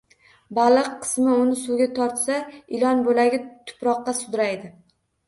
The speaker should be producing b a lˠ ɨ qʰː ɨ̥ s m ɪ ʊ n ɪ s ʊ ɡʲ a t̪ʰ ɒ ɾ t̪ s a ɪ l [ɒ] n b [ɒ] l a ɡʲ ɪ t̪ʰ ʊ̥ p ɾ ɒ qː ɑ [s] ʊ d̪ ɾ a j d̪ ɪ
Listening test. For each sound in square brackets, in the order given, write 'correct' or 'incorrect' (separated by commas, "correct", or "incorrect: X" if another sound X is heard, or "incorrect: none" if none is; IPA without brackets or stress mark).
correct, incorrect: o, correct